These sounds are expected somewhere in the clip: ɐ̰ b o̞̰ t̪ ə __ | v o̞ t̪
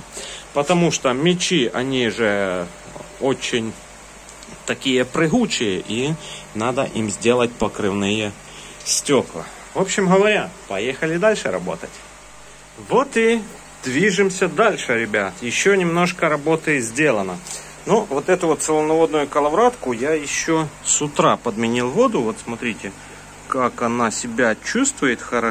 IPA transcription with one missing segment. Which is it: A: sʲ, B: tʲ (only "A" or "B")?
B